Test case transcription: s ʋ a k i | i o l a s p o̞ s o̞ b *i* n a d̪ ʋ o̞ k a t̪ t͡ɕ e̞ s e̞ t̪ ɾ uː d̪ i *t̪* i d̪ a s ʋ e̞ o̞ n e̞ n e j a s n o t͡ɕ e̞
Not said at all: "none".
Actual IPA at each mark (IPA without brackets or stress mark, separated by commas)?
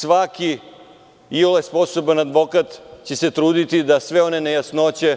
a, t̪